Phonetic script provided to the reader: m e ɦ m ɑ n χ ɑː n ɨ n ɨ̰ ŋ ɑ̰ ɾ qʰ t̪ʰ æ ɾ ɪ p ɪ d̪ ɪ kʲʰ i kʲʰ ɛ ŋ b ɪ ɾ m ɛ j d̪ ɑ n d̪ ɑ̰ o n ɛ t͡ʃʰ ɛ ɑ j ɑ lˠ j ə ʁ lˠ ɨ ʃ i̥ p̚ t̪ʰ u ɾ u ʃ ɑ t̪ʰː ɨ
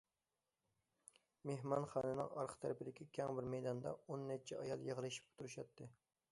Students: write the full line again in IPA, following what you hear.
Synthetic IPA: m e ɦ m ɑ n χ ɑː n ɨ n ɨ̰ ŋ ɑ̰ ɾ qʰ t̪ʰ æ ɾ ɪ p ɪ d̪ ɪ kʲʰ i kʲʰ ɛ ŋ b ɪ ɾ m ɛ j d̪ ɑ n d̪ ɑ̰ o nː ɛ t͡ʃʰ ɛ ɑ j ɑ lˠ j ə ʁ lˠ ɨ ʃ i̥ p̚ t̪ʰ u ɾ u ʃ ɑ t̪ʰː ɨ